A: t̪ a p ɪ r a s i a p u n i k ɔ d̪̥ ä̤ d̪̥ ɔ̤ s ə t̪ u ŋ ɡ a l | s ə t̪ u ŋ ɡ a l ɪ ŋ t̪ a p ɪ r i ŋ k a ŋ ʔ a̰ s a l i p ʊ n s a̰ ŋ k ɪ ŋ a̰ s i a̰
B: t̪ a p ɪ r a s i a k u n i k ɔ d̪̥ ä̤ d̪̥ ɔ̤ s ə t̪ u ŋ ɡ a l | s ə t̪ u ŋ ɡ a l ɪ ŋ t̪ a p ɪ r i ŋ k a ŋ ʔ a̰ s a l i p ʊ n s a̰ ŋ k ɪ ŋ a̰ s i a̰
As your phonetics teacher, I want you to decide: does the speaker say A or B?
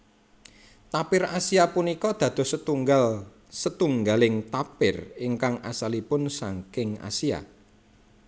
A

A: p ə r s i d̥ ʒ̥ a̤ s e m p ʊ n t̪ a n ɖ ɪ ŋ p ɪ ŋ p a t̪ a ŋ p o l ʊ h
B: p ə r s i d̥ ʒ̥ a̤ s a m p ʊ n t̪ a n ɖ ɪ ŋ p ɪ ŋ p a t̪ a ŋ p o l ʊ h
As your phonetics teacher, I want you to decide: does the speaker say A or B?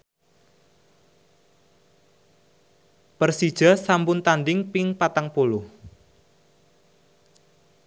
B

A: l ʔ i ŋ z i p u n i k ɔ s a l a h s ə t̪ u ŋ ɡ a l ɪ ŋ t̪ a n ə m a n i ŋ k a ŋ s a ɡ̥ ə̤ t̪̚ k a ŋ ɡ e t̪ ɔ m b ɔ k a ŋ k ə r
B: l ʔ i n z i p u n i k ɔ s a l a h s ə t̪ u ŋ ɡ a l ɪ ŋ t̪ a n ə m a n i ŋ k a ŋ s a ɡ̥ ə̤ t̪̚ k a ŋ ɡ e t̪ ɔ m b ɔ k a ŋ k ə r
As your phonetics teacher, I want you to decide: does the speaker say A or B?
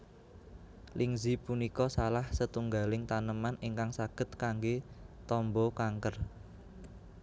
A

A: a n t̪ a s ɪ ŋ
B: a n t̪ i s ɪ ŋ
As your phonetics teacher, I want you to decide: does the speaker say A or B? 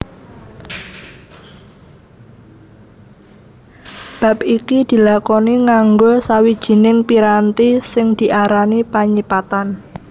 B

